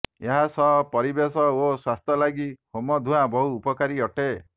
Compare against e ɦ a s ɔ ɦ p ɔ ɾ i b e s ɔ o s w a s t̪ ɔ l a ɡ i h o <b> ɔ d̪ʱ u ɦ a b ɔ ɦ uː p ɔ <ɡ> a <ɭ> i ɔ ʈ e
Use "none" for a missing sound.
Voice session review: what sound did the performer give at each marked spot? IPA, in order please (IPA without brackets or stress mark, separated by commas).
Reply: m, k, ɾ